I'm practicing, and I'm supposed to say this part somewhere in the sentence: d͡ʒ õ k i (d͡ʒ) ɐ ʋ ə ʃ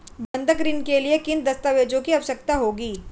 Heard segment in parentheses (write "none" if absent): none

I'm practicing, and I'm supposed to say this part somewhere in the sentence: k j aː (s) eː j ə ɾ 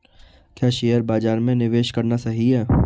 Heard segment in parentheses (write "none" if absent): ʃ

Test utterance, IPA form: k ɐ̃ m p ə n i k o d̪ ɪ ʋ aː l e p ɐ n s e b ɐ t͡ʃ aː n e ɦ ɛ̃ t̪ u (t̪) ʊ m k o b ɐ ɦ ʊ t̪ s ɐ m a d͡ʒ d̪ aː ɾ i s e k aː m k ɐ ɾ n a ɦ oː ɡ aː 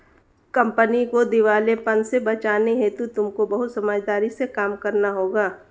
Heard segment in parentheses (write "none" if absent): t̪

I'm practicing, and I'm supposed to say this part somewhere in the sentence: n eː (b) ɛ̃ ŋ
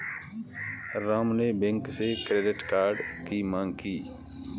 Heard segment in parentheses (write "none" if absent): b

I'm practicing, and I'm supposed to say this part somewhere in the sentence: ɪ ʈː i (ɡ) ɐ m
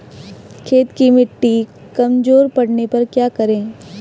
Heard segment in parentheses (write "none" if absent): k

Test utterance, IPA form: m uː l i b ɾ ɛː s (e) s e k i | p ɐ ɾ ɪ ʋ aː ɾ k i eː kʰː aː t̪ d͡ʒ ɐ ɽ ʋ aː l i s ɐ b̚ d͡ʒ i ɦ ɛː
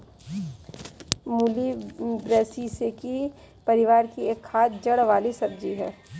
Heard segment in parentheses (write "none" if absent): i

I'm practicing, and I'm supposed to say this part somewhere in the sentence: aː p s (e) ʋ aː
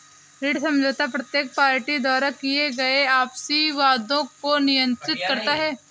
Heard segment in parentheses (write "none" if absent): i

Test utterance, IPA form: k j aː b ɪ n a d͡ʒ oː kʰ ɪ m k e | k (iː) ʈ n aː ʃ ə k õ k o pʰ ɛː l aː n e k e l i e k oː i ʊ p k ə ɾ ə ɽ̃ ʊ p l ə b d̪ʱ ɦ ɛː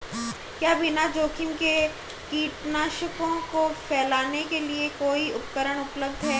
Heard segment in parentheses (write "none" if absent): iː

